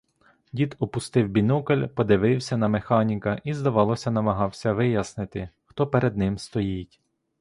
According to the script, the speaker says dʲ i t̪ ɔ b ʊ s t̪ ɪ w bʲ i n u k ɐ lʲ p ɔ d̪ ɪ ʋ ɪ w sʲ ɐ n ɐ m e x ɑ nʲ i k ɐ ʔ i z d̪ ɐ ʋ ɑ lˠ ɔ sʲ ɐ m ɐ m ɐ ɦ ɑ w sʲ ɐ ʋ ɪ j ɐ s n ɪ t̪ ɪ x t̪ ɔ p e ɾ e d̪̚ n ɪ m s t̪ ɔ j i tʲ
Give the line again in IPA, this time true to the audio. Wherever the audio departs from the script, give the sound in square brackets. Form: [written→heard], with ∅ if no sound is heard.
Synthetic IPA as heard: dʲ i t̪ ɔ [b→p] ʊ s t̪ ɪ w bʲ i n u k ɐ lʲ p ɔ d̪ ɪ ʋ ɪ w sʲ ɐ n ɐ m e x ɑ nʲ i k ɐ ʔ i z d̪ ɐ ʋ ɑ lˠ ɔ sʲ ɐ [m→n] ɐ m ɐ ɦ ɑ w sʲ ɐ ʋ ɪ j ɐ s n ɪ t̪ ɪ x t̪ ɔ p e ɾ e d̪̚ n ɪ m s t̪ ɔ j i tʲ

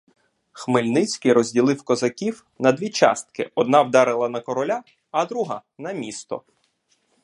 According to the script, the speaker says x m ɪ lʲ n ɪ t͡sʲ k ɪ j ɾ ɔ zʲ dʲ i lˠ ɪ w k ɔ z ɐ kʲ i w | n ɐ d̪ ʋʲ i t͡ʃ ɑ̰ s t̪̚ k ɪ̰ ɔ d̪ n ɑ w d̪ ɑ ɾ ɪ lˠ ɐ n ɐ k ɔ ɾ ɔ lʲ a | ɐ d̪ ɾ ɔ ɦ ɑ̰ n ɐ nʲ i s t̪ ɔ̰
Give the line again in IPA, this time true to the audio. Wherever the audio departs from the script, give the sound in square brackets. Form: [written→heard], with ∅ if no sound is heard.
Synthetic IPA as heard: x m ɪ lʲ n ɪ t͡sʲ k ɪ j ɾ ɔ zʲ dʲ i lˠ ɪ w k ɔ z ɐ kʲ i w | n ɐ d̪ ʋʲ i t͡ʃ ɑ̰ s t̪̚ k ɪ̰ ɔ d̪ n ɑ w d̪ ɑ ɾ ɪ lˠ ɐ n ɐ k ɔ ɾ ɔ lʲ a | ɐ d̪ ɾ [ɔ→u] ɦ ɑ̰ n ɐ [nʲ→mʲ] i s t̪ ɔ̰

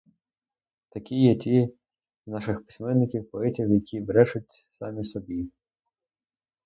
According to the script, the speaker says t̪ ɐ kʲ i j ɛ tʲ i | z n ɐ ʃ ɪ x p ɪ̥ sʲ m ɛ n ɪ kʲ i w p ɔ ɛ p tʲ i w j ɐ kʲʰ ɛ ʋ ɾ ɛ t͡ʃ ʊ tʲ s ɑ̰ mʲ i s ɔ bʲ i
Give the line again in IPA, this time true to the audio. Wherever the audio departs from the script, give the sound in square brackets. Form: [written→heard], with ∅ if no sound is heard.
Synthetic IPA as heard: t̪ ɐ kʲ i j ɛ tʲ i | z n [ɐ→ɑ] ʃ ɪ x p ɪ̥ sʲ m ɛ [n→nː] ɪ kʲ i w p ɔ ɛ [p→∅] tʲ i w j ɐ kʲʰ [ɛ→i] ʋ ɾ ɛ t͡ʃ ʊ tʲ s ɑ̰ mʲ i s ɔ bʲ i

